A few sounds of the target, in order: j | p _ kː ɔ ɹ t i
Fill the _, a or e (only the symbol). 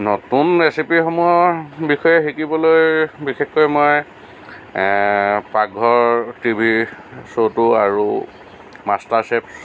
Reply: a